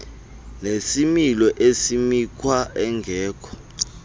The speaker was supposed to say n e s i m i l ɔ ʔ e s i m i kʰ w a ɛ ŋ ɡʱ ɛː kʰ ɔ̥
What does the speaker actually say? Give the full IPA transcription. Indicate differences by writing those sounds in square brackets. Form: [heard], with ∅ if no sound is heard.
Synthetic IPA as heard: n e s i m i l ɔ ʔ e s i m i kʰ w a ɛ ŋ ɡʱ ɛː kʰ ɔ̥